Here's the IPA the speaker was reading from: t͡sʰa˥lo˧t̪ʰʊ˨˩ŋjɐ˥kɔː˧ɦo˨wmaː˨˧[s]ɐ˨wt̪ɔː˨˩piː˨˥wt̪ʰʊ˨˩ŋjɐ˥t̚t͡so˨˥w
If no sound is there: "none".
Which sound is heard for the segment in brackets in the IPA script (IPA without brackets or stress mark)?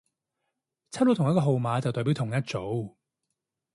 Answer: t͡s